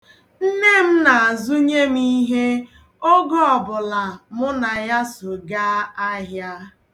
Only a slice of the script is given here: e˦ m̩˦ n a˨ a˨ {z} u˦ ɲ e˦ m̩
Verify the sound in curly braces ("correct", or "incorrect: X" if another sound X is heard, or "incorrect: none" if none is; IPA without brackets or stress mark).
correct